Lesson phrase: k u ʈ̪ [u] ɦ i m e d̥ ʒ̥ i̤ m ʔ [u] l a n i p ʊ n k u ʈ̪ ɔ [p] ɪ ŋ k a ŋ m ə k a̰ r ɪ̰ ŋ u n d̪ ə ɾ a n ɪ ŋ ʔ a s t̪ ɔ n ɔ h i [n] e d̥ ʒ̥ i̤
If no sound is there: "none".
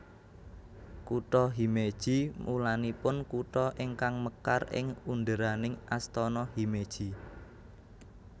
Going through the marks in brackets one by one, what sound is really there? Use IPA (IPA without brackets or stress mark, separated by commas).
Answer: ɔ, u, ʔ, m